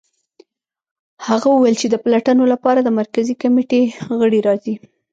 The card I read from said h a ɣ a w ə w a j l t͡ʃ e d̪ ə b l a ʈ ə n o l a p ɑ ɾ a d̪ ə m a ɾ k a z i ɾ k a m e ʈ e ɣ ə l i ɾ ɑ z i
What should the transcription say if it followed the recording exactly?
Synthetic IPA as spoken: h a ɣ a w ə w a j l t͡ʃ e d̪ ə p l a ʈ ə n o l a p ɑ ɾ a d̪ ə m a ɾ k a z i k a m e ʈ e ɣ ə ɽ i ɾ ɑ z i